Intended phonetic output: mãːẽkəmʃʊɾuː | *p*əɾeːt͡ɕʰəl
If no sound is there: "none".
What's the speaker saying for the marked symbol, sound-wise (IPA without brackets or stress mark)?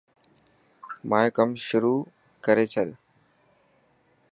k